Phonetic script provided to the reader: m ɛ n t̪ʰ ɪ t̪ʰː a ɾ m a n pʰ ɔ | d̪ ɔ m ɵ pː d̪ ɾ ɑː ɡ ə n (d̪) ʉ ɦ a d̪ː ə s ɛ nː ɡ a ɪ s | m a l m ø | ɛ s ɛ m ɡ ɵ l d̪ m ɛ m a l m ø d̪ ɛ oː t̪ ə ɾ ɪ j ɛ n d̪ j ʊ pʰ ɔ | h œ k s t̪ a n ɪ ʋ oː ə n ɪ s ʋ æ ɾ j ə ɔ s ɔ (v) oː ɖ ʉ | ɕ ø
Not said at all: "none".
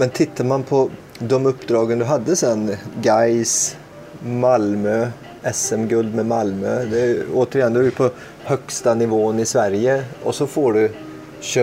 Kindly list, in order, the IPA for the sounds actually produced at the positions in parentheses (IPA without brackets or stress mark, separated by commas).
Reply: d̪, f